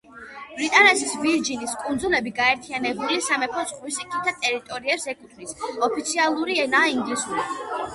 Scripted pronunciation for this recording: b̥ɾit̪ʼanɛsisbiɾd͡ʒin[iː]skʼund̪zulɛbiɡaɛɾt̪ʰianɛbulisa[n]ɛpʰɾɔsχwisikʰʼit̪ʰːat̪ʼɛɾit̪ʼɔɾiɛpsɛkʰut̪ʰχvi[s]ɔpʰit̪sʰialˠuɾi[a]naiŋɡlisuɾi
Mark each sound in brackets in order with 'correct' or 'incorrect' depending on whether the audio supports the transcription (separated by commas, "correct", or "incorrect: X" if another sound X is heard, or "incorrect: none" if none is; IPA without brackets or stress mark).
incorrect: i, incorrect: m, correct, incorrect: ɛ